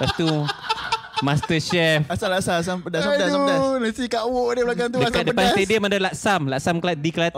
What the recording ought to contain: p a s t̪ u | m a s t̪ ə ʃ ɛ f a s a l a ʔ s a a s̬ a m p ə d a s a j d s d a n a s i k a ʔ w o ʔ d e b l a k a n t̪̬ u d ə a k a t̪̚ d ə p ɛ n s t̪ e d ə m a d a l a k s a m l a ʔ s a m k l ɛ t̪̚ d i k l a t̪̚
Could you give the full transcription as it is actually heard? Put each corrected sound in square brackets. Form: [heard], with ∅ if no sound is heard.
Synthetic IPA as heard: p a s t̪ u | m a s t̪ ə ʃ ɛ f a s a l a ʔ s a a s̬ a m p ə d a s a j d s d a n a s i k a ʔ w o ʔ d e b l a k a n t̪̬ u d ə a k a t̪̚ d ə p [a] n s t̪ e d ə m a d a l a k s a m l a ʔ s a m k l [a] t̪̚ d i k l a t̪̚